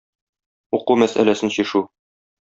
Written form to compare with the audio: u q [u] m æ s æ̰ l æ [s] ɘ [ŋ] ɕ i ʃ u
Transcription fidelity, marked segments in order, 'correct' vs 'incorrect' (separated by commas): correct, correct, incorrect